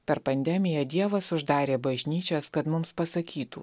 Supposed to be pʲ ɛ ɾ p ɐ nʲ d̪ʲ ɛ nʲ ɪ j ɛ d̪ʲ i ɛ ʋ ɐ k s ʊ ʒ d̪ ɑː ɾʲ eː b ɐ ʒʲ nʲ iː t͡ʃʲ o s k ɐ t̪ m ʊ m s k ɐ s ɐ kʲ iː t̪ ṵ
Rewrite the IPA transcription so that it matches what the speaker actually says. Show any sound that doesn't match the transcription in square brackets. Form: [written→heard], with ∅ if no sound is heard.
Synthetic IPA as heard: pʲ ɛ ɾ p ɐ nʲ d̪ʲ ɛ [nʲ→mʲ] ɪ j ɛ d̪ʲ i ɛ ʋ ɐ [k→∅] s ʊ ʒ d̪ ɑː ɾʲ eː b ɐ ʒʲ nʲ iː t͡ʃʲ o s k ɐ t̪ m ʊ m s [k→p] ɐ s ɐ kʲ iː t̪ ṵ